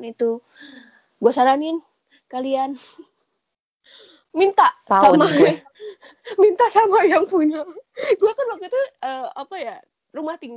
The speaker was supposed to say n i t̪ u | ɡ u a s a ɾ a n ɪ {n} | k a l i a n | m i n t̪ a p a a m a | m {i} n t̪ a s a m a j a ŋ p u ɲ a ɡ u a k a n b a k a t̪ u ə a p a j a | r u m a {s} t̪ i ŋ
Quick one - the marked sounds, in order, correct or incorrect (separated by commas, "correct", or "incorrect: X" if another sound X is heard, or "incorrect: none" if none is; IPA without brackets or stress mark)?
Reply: correct, correct, incorrect: h